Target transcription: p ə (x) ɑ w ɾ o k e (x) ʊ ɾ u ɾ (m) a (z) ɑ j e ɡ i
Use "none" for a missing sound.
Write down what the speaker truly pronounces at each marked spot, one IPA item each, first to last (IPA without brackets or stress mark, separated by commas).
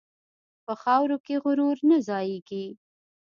x, ɣ, n, z